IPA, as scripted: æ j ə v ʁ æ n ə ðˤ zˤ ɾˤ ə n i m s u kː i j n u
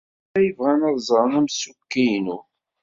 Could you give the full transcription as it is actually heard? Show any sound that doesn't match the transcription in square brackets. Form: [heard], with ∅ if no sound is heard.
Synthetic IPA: æ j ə v ʁ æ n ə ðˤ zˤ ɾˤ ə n [æ] m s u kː i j n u